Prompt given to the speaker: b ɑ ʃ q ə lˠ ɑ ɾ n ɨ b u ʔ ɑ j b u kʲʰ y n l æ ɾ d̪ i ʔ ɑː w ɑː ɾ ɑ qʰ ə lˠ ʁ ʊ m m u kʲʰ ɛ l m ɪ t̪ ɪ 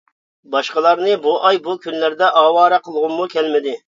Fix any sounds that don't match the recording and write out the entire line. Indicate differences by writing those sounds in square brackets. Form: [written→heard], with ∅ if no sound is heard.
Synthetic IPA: b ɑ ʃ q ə lˠ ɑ ɾ n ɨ b u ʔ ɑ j b u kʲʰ y n l æ ɾ d̪ [i→ɛ] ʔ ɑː w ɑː ɾ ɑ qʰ ə lˠ ʁ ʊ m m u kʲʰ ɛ l m ɪ [t̪→d̪] ɪ